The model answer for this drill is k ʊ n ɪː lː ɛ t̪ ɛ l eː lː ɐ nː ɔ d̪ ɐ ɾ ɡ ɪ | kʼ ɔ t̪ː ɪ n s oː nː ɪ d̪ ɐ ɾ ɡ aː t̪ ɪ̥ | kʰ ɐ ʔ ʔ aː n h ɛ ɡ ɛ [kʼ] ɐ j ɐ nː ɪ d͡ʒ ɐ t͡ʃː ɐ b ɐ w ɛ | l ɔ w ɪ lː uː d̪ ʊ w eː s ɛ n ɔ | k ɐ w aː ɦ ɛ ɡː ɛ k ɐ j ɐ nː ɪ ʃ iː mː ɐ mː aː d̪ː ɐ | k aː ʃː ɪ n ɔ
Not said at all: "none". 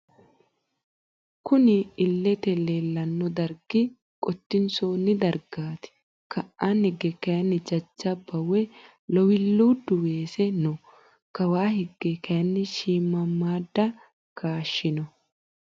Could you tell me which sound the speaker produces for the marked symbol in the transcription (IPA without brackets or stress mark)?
k